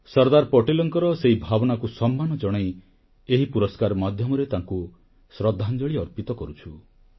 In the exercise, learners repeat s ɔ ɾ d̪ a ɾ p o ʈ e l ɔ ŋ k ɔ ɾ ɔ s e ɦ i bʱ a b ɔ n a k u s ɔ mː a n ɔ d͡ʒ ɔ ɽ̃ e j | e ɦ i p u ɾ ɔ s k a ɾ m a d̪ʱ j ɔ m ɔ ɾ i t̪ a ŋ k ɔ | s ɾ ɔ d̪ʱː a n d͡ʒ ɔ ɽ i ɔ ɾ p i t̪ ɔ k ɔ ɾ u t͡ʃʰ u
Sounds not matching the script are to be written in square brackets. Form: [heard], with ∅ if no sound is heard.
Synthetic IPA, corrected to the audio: s ɔ ɾ d̪ a ɾ p [ɔ] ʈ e l ɔ ŋ k ɔ ɾ ɔ s e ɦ i bʱ a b ɔ n a k u s ɔ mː a n ɔ d͡ʒ ɔ ɽ̃ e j | e ɦ i p u ɾ ɔ s k a ɾ m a d̪ʱ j ɔ m ɔ ɾ [e] t̪ a ŋ k [u] | s ɾ ɔ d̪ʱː a n d͡ʒ ɔ [ɭ] i ɔ ɾ p i t̪ ɔ k ɔ ɾ u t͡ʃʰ u

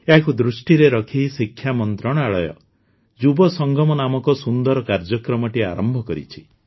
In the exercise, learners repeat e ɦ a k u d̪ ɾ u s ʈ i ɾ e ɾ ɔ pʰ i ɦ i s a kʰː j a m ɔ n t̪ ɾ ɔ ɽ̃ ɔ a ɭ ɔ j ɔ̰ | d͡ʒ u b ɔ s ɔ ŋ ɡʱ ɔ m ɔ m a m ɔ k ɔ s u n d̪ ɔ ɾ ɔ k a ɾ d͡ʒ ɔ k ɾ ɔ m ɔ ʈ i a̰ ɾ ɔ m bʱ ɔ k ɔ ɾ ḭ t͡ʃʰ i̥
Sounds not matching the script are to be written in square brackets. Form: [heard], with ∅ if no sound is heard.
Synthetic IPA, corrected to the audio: e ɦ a k u d̪ ɾ u s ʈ i ɾ e ɾ ɔ [kʰ] i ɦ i s [i] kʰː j a m ɔ n t̪ ɾ ɔ ɽ̃ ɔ a ɭ ɔ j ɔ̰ | d͡ʒ u b ɔ s ɔ ŋ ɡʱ ɔ m ɔ [n] a m ɔ k ɔ s u n d̪ ɔ ɾ ɔ k a ɾ d͡ʒ ɔ k ɾ ɔ m ɔ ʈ i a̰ ɾ ɔ m bʱ ɔ k ɔ ɾ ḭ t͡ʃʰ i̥

